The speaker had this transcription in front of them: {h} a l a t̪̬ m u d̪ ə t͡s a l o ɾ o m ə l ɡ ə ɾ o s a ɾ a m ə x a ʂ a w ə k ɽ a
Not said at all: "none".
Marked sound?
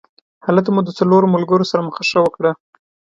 h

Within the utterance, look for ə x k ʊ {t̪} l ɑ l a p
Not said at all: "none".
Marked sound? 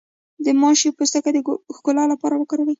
none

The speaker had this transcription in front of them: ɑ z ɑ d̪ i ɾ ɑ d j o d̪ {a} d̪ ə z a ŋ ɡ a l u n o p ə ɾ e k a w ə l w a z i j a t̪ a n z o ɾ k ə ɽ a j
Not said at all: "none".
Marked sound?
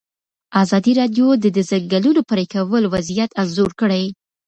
ə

